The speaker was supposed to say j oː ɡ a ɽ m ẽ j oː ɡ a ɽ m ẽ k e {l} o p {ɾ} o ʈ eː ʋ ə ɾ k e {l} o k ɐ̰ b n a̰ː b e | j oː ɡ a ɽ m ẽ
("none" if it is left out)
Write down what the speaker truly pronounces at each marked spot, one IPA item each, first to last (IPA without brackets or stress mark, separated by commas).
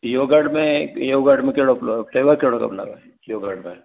ɽ, l, ɽ